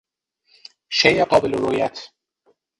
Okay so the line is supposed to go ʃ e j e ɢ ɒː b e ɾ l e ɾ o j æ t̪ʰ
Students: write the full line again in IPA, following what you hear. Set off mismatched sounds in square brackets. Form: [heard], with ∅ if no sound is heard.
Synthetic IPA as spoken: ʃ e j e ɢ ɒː b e [∅] l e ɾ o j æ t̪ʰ